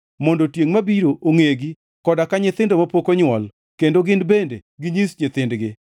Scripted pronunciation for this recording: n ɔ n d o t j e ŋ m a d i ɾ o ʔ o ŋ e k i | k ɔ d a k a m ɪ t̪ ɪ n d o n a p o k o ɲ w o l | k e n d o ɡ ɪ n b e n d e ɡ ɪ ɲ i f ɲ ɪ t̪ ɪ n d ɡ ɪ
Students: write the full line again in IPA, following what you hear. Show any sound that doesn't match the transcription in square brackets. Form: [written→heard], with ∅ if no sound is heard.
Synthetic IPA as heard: [n→m] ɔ n d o t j e ŋ m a [d→b] i ɾ o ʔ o ŋ e [k→ɡ] i | k ɔ d a k a [m→ɲ] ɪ t̪ ɪ n d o [n→m] a p o k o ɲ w [o→ɔ] l | k e n d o ɡ ɪ n b e n d e ɡ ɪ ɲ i [f→s] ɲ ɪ t̪ ɪ n d ɡ ɪ